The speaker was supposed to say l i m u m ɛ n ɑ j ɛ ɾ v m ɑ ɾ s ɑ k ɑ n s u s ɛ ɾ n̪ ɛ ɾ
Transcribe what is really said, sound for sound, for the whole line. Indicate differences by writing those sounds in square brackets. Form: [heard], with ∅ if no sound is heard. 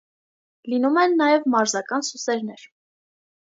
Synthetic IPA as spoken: l i [n] u m ɛ [nː] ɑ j ɛ [∅] v m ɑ ɾ [z] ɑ k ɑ n s u s ɛ ɾ n̪ ɛ ɾ